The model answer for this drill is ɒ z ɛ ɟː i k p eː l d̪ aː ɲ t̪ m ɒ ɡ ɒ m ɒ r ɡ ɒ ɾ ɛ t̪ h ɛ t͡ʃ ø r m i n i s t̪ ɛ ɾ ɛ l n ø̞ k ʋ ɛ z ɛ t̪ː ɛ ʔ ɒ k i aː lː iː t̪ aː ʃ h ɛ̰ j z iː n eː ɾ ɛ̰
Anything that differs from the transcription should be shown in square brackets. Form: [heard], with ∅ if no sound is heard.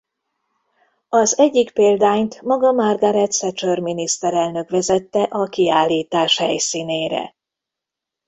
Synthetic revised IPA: ɒ z ɛ ɟː i k p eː l d̪ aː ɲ t̪ m ɒ ɡ ɒ m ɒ r ɡ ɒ ɾ ɛ t̪ [s] ɛ t͡ʃ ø r m i n i s t̪ ɛ ɾ ɛ l n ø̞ k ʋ ɛ z ɛ t̪ː ɛ ʔ ɒ k i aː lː iː t̪ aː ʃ h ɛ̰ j [s] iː n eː ɾ ɛ̰